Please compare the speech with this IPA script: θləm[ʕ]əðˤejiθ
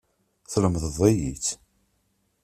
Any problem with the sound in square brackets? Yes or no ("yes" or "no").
yes